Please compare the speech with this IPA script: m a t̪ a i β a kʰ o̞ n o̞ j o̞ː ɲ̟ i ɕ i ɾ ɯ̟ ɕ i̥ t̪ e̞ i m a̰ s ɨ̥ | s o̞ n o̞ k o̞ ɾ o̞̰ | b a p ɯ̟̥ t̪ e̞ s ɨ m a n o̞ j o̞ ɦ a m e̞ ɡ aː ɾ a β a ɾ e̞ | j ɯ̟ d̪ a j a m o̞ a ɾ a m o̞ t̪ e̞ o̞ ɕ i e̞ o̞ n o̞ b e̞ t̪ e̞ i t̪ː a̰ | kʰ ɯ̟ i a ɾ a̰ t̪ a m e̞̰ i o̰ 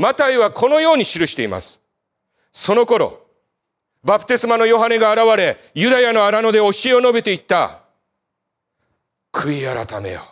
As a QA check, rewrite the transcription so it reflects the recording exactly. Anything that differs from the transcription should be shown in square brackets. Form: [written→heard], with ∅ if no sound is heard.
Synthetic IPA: m a t̪ a i β a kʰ o̞ n o̞ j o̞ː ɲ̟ i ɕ i ɾ ɯ̟ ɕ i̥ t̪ e̞ i m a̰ s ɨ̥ | s o̞ n o̞ k o̞ ɾ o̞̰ | b a p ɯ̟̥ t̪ e̞ s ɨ m a n o̞ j o̞ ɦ a [m→n] e̞ ɡ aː ɾ a β a ɾ e̞ | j ɯ̟ d̪ a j a [m→n] o̞ a ɾ a [m→n] o̞ [t̪→d̪] e̞ o̞ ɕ i e̞ o̞ n o̞ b e̞ t̪ e̞ i t̪ː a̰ | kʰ ɯ̟ i a ɾ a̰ t̪ a m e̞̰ [i→j] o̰